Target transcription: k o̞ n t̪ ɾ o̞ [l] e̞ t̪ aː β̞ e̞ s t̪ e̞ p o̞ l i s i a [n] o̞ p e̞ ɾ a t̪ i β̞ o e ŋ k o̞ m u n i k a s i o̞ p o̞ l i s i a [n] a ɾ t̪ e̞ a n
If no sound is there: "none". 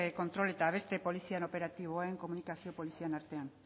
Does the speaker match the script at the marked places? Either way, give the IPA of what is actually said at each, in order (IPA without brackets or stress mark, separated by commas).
l, n, n